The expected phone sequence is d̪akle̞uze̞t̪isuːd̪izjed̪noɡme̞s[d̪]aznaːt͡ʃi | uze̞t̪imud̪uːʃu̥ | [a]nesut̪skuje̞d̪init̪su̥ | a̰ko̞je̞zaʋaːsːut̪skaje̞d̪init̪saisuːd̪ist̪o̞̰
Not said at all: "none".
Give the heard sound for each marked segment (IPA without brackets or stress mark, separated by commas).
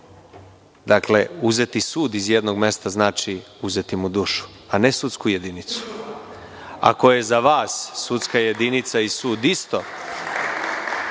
t̪, a